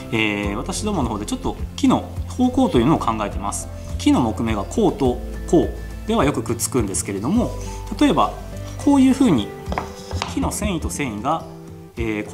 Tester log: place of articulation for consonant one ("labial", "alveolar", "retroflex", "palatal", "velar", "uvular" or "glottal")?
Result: labial